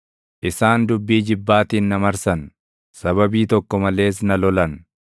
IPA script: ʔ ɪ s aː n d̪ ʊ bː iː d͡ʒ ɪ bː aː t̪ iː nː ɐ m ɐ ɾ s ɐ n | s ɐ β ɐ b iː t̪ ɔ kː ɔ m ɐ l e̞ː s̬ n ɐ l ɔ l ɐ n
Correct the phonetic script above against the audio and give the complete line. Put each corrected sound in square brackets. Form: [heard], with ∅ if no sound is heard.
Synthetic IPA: ʔ ɪ s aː n d̪ ʊ bː iː d͡ʒ ɪ bː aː t̪ iː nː ɐ m ɐ ɾ s ɐ n | s ɐ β ɐ b iː t̪ ɔ kː ɔ m ɐ l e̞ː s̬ n ɐ l ɔ l ɐ n